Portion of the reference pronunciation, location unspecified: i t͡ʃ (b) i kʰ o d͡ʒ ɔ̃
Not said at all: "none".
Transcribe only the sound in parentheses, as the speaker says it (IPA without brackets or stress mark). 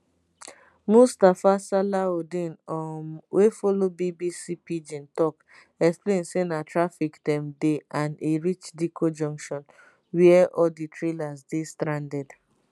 d